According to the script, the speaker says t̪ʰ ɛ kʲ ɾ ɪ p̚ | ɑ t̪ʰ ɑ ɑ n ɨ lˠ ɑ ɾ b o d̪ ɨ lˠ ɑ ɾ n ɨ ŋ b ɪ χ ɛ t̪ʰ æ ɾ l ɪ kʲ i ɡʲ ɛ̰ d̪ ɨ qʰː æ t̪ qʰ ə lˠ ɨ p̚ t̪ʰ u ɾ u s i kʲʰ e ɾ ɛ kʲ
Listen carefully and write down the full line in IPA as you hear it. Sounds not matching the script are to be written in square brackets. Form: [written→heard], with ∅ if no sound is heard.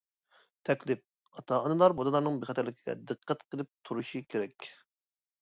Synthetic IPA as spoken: t̪ʰ ɛ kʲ [ɾ→l] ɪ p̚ | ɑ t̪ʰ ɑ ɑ n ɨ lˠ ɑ ɾ b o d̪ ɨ lˠ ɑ ɾ n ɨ ŋ b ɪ χ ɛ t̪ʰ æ ɾ l ɪ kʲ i ɡʲ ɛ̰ d̪ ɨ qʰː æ t̪ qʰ ə lˠ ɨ p̚ t̪ʰ u ɾ u [s→ʃ] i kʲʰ e ɾ ɛ kʲ